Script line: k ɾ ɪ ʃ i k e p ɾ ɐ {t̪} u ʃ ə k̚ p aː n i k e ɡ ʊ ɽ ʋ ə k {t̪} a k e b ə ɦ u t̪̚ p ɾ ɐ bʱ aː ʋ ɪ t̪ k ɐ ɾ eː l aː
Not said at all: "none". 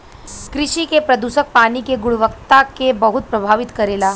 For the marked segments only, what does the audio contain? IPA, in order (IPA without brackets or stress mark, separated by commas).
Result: d̪, t̪